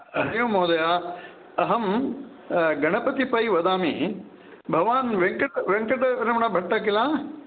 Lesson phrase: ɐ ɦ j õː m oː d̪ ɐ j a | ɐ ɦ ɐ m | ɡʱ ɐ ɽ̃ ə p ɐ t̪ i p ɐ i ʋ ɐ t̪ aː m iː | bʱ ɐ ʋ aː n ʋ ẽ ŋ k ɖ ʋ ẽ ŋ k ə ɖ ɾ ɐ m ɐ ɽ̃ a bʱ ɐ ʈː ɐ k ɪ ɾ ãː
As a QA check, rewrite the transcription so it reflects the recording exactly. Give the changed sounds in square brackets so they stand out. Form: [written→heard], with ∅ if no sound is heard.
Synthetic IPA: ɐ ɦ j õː m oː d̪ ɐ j a | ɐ ɦ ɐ m | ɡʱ ɐ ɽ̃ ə p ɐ t̪ i p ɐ i ʋ ɐ [t̪→d̪] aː m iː | bʱ ɐ ʋ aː n ʋ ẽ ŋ k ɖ ʋ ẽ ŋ k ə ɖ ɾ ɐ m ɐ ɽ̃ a bʱ ɐ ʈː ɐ k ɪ [ɾ→l] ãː